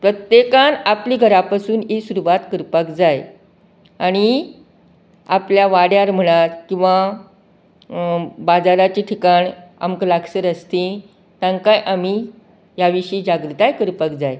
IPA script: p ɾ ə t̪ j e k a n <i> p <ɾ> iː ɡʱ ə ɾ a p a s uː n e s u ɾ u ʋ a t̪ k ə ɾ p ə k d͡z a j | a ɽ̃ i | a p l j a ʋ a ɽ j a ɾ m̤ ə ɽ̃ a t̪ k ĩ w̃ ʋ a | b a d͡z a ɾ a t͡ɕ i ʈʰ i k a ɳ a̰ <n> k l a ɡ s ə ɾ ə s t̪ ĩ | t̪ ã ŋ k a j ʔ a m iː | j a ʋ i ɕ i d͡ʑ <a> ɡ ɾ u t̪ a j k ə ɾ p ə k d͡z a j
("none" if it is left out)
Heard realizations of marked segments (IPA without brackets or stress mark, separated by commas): a, l, m, a